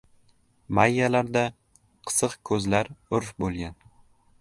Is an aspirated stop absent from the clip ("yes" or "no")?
no